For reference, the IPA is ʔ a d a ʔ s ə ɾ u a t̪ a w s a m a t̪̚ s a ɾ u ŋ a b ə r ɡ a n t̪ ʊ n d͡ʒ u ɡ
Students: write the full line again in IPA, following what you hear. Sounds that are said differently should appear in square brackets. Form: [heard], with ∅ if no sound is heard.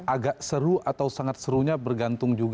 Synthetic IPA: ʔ a [ɡ] a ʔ s ə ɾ u a t̪ a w s a [ŋ] a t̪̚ s [ə] ɾ u [ɲ] a b ə r ɡ a n t̪ ʊ [ŋ] d͡ʒ u ɡ